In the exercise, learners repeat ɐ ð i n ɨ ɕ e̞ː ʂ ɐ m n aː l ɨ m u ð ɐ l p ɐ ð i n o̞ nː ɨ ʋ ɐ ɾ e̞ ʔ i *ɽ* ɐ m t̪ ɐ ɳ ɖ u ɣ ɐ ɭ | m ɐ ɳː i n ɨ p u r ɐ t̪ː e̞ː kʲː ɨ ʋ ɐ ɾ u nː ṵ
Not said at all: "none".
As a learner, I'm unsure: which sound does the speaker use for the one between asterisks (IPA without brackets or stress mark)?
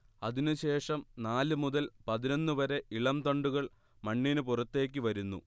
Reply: ɭ